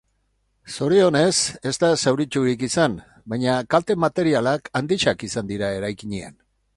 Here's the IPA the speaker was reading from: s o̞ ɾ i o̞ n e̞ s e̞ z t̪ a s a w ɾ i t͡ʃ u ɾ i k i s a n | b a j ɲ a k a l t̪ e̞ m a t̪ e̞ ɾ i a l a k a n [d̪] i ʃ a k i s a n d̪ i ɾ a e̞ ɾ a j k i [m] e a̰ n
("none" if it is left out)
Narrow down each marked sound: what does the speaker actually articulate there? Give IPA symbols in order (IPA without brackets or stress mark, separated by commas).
d̪, ɲ